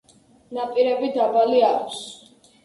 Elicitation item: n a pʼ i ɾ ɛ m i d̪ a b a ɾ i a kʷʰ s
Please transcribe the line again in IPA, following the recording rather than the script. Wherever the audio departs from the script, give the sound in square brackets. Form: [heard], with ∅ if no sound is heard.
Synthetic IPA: n a pʼ i ɾ ɛ [b] i d̪ a b a [l] i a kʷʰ s